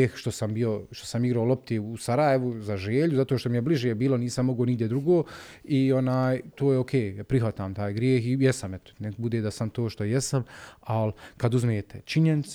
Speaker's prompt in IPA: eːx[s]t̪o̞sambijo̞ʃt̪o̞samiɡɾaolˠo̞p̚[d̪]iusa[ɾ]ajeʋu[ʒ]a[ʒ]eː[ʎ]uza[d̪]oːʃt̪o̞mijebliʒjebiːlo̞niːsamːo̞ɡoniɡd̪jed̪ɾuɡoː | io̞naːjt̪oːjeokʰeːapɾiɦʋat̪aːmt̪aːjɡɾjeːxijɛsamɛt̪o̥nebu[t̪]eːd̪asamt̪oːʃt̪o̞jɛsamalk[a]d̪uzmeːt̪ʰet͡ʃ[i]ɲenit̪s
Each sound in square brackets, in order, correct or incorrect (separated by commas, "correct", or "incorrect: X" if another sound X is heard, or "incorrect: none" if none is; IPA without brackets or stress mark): incorrect: ʃ, incorrect: t̪, correct, incorrect: z, correct, correct, incorrect: t̪, incorrect: d̪, correct, correct